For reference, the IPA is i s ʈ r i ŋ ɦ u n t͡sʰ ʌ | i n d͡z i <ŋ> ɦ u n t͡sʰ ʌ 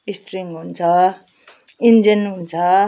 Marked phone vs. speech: incorrect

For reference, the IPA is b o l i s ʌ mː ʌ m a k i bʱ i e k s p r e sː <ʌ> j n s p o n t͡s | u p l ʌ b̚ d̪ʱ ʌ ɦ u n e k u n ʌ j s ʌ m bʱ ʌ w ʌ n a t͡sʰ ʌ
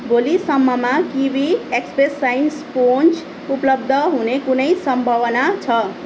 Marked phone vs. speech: incorrect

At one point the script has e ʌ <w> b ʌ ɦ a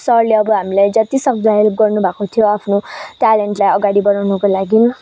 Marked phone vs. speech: incorrect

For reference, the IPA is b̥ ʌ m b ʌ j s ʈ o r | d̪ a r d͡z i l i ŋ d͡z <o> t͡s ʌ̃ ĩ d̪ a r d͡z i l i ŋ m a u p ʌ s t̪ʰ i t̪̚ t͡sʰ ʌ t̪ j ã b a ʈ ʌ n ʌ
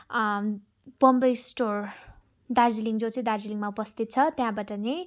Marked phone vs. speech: correct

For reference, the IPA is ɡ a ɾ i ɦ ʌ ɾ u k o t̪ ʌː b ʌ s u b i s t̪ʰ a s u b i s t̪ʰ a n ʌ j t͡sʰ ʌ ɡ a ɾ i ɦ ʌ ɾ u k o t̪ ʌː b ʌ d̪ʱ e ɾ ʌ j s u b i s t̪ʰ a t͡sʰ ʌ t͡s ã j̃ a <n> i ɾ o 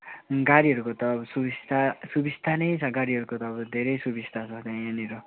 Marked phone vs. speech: correct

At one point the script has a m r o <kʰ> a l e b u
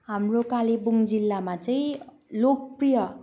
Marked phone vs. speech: incorrect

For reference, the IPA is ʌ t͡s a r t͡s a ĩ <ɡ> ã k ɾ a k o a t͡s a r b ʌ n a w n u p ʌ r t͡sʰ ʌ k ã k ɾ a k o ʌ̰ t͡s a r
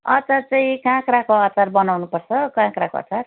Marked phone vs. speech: incorrect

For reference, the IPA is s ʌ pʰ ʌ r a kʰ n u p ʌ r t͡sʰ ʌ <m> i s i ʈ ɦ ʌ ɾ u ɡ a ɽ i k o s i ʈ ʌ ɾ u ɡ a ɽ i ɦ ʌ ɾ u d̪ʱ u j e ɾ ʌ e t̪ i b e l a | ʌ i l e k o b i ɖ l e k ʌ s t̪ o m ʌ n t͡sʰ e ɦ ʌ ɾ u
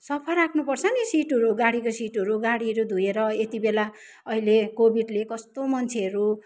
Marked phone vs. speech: incorrect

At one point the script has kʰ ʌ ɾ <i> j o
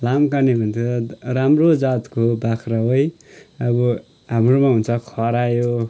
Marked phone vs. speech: incorrect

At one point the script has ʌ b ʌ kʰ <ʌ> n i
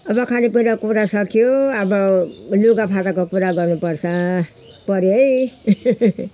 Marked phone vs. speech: incorrect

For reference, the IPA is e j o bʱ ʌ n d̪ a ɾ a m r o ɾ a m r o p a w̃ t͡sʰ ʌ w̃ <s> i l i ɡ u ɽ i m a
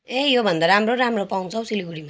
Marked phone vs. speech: correct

